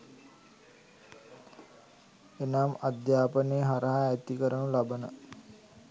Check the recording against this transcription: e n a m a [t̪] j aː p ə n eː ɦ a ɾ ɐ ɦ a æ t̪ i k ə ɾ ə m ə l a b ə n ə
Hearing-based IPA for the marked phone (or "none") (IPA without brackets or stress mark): d̪